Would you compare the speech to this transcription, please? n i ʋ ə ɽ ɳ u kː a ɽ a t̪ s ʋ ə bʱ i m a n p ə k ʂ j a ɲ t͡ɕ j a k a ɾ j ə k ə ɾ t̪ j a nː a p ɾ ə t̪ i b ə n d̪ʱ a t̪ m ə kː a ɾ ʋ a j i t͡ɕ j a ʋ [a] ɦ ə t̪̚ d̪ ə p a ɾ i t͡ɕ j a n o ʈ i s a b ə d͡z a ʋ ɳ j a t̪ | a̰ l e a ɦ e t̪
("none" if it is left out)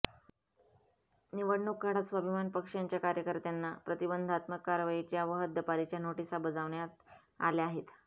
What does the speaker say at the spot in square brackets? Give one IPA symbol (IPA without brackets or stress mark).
ə